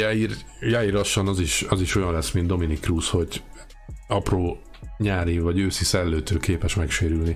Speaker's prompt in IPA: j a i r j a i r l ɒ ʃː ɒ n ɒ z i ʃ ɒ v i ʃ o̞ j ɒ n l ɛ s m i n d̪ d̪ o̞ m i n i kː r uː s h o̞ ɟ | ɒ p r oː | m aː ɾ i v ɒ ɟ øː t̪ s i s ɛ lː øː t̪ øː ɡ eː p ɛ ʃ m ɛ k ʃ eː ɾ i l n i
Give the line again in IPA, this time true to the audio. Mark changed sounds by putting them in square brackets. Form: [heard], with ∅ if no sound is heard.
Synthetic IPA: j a i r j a i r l ɒ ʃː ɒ n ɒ z i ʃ ɒ [z] i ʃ o̞ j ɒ n l ɛ s m i n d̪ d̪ o̞ m i n i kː r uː s h o̞ ɟ | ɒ p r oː | [ɲ] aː ɾ i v ɒ ɟ øː [∅] s i s ɛ lː øː t̪ øː [k] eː p ɛ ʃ m ɛ k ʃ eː ɾ [y] l n i